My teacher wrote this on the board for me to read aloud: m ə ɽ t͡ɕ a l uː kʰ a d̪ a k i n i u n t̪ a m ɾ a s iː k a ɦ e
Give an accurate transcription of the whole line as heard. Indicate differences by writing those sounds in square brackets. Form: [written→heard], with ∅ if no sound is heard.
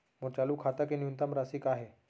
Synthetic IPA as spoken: m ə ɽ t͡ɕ a l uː kʰ a [d̪→t̪] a k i n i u n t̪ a m ɾ a s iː k a ɦ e

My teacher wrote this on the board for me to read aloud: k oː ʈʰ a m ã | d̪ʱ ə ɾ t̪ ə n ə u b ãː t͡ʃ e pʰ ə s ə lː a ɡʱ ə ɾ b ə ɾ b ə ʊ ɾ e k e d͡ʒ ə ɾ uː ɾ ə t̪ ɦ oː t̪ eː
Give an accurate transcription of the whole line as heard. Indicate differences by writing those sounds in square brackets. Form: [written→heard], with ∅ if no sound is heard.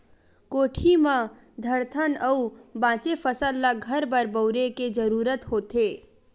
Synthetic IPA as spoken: k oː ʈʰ [a→i] m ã | d̪ʱ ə ɾ [t̪→t̪ʰ] ə n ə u b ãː t͡ʃ e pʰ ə s ə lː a ɡʱ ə ɾ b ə ɾ b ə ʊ ɾ e k e d͡ʒ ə ɾ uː ɾ ə t̪ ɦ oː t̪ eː

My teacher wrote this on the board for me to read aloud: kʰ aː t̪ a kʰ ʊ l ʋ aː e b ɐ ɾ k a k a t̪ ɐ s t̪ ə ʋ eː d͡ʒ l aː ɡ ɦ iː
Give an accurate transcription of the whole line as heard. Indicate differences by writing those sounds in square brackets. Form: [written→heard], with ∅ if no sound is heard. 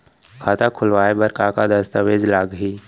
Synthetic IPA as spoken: kʰ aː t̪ a kʰ ʊ l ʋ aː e b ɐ ɾ k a k a [t̪→d̪] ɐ s t̪ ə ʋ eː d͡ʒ l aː ɡ ɦ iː

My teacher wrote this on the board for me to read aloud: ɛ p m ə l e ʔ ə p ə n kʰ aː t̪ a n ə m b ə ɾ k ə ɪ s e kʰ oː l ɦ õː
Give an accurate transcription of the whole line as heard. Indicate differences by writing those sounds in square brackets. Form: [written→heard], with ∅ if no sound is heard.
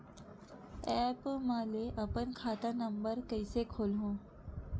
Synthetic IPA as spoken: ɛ p m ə l e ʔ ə p ə n kʰ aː t̪ a n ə m b ə ɾ k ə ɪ s e kʰ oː l ɦ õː

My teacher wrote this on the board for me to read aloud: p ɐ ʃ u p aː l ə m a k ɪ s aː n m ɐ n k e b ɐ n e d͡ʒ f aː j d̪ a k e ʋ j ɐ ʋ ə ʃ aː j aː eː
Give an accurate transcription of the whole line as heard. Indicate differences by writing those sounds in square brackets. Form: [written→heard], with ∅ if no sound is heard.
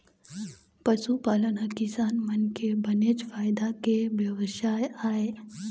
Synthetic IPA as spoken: p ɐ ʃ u p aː l ə [m→n] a k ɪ s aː n m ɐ n k e b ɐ n e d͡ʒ f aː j d̪ a k e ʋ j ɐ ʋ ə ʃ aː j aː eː

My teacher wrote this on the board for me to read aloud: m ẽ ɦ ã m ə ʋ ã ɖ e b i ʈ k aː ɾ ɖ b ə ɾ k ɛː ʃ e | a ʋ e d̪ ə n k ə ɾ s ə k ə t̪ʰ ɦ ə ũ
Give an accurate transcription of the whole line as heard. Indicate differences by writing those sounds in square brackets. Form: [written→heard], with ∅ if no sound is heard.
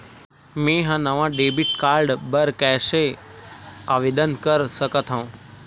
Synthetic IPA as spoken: m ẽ ɦ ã [m→n] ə ʋ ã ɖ e b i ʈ k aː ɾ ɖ b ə ɾ k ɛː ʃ e | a ʋ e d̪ ə n k ə ɾ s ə k ə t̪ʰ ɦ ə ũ

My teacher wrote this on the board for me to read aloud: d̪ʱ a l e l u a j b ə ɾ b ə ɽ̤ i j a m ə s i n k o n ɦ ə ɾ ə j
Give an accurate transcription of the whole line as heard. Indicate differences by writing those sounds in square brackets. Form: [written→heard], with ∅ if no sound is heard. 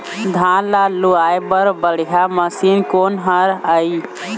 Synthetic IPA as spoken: d̪ʱ a l [e→a] l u a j b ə ɾ b ə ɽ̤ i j a m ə s i n k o n ɦ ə ɾ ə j

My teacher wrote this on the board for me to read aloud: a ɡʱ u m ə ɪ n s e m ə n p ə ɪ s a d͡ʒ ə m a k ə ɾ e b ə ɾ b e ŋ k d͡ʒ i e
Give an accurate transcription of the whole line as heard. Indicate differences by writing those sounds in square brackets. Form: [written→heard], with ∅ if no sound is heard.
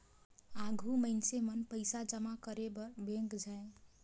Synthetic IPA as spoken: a ɡʱ u m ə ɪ n s e m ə n p ə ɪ s a d͡ʒ ə m a k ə ɾ e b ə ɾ b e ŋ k d͡ʒ [i→a] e

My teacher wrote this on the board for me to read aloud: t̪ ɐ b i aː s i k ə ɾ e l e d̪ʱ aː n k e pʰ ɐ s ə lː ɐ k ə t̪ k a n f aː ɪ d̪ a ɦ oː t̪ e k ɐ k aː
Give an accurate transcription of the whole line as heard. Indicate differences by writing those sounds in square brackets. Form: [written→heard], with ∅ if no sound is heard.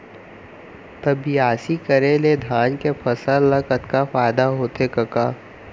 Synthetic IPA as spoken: t̪ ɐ b i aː s i k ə ɾ e l e d̪ʱ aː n k e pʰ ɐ s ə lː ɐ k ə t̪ k a [n→∅] f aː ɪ d̪ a ɦ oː t̪ e k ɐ k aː

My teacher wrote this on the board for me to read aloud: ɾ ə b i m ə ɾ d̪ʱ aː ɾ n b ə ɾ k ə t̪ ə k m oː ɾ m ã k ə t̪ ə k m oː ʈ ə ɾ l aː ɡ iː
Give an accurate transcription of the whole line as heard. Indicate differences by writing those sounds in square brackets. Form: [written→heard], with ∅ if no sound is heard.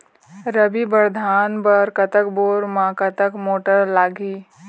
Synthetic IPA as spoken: ɾ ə b i [m→b] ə ɾ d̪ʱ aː [ɾ→∅] n b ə ɾ k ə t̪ ə k [m→b] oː ɾ m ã k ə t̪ ə k m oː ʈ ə ɾ l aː ɡ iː

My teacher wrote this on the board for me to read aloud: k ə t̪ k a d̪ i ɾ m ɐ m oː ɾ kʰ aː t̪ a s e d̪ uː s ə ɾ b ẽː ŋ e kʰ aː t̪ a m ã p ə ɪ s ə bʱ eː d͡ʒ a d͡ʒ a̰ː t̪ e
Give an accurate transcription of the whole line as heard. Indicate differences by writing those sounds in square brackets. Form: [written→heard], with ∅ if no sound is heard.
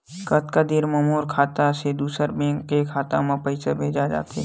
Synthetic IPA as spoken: k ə t̪ k a d̪ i ɾ m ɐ m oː ɾ kʰ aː t̪ a s e d̪ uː s ə ɾ b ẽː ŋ e kʰ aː t̪ a m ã p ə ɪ s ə bʱ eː d͡ʒ a d͡ʒ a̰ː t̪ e

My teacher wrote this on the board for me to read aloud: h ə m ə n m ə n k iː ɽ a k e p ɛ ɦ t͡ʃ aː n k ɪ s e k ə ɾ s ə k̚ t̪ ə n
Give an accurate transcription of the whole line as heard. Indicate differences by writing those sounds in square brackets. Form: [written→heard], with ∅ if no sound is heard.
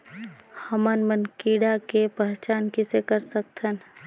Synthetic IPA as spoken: h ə m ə n m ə n k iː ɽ a k e p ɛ ɦ t͡ʃ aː n k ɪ s e k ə ɾ s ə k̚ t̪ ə n

